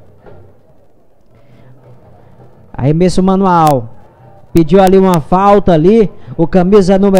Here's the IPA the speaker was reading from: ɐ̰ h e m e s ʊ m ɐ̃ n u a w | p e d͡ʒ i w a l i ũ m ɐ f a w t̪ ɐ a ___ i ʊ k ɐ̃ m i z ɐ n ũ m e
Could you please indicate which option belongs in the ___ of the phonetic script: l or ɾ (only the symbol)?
l